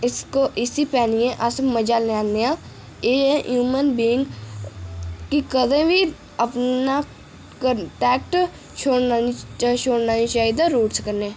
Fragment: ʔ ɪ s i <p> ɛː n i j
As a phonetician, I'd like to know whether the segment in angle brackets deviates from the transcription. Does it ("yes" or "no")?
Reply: no